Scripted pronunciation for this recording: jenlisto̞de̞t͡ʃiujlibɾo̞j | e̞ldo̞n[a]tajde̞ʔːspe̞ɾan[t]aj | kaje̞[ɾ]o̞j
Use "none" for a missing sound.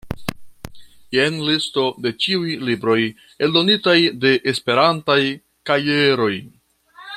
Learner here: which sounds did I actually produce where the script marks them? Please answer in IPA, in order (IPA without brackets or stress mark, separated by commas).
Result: i, t, ɾ